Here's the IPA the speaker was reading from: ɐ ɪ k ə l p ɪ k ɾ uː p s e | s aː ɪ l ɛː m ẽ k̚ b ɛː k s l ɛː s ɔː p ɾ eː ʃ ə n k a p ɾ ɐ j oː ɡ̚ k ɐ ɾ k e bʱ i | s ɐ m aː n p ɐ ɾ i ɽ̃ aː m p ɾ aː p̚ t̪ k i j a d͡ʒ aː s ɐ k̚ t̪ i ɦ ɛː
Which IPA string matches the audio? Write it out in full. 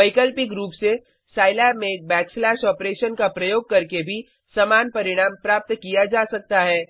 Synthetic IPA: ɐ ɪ k ə l p ɪ k ɾ uː p s e | s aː ɪ l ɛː m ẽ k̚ b ɛː k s l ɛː ʃ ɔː p ɾ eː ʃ ə n k a p ɾ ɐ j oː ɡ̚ k ɐ ɾ k e bʱ i | s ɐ m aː n p ɐ ɾ ɪ ɽ̃ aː m p ɾ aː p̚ t̪ k i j a d͡ʒ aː s ɐ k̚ t̪ a ɦ ɛː